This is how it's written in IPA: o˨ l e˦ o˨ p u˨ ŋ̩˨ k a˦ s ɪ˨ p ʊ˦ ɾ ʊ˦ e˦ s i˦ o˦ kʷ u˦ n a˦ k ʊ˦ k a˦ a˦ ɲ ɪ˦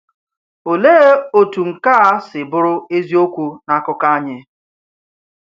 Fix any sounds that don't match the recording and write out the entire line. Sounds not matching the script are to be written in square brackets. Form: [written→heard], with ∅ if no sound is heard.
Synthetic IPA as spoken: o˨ l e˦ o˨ [p→t] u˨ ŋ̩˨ k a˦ s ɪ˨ [p→b] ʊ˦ ɾ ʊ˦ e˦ [s→z] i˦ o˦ kʷ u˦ n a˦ k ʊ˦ k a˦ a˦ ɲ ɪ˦